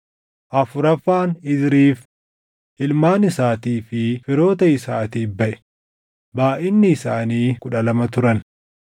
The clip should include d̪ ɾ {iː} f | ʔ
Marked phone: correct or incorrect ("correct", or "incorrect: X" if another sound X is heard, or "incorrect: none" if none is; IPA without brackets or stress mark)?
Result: correct